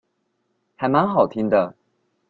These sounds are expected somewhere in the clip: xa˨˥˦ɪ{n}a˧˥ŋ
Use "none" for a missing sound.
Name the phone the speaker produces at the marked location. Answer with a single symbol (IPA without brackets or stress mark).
m